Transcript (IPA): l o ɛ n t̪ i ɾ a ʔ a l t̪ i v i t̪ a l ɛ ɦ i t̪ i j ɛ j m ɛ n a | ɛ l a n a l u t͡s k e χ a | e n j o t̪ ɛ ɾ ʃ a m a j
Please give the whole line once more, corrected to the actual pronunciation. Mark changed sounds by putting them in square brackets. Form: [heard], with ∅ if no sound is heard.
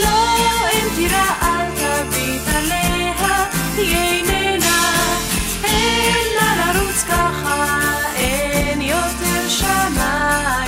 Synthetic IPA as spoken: l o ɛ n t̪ i ɾ a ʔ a l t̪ [a] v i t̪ a l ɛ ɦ [a] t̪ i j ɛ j [n] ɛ n a | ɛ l a n a [ɾ] u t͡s k [a] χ a | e n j o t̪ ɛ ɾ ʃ a m a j